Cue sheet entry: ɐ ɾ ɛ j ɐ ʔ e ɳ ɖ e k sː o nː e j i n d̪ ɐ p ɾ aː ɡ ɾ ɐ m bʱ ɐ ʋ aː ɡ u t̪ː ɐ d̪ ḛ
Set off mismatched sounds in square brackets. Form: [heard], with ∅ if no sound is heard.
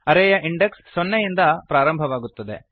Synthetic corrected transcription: ɐ ɾ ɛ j ɐ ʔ [i] ɳ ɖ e k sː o nː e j i n d̪ ɐ p ɾ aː [∅] ɾ ɐ m bʱ ɐ ʋ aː ɡ u t̪ː ɐ d̪ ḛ